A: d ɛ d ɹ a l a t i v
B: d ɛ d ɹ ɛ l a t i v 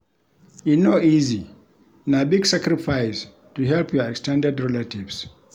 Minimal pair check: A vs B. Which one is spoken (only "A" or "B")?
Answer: B